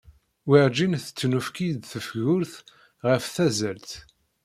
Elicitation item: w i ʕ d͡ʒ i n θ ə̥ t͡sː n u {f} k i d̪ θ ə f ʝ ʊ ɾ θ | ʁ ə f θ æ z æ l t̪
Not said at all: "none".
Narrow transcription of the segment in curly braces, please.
f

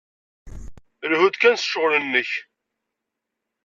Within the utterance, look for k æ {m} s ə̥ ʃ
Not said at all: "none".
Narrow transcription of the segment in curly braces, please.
n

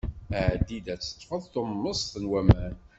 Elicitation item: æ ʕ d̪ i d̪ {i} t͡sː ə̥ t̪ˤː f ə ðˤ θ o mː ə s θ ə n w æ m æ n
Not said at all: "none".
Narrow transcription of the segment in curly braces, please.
æ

